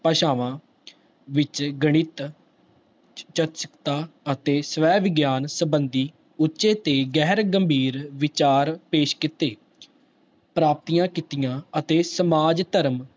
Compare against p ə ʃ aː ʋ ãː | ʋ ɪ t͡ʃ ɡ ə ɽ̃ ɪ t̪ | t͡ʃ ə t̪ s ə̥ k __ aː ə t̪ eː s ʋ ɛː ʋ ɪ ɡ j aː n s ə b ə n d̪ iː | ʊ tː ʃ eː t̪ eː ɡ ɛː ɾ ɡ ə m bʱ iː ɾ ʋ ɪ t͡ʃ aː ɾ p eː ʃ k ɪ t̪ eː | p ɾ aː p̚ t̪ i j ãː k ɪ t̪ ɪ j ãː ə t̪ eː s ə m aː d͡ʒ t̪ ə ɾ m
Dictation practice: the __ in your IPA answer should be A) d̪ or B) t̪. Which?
B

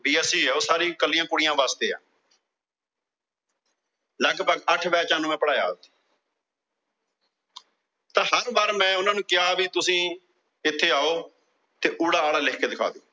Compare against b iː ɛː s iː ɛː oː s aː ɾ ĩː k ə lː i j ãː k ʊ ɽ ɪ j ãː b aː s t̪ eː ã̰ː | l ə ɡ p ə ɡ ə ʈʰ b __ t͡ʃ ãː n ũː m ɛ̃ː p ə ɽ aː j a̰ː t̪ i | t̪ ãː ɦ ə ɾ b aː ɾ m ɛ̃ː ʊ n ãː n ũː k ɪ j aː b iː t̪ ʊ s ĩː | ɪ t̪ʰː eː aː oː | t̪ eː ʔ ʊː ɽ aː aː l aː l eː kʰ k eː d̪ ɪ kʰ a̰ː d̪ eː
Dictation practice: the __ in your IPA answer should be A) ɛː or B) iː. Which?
A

